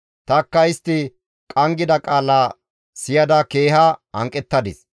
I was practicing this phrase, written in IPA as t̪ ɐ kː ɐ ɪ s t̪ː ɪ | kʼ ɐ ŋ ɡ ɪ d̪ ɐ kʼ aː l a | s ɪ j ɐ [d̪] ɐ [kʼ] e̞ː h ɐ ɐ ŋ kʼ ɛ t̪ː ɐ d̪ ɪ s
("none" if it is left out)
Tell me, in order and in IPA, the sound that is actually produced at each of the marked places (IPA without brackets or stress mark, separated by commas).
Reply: d̪, k